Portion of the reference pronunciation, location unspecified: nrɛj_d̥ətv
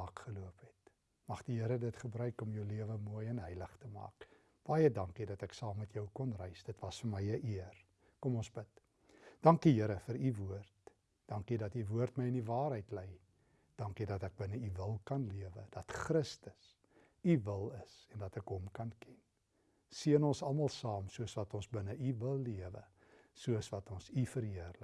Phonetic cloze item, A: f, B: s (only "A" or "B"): B